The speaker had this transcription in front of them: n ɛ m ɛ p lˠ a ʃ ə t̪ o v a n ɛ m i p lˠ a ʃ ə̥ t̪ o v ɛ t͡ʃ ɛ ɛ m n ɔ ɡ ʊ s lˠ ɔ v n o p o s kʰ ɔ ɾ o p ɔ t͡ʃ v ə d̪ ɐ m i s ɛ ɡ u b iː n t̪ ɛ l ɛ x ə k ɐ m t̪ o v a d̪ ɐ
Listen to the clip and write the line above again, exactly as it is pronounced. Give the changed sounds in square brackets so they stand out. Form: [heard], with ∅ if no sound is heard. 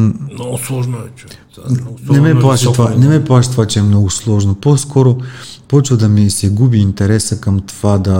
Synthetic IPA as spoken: n ɛ m ɛ p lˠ a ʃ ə t̪ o v a n ɛ m [ɛ] p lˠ a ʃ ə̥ t̪ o v [a] t͡ʃ ɛ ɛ m n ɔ ɡ ʊ s lˠ ɔ [ʒ] n o p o s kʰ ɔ ɾ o p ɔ t͡ʃ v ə d̪ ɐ m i s ɛ ɡ u b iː n t̪ ɛ [ɾ] ɛ [s] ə k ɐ m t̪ o v a d̪ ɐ